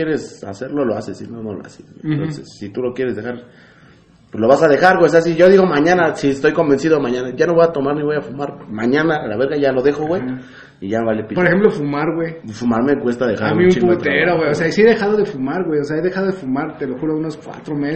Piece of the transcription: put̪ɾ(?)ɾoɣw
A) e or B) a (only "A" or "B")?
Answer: A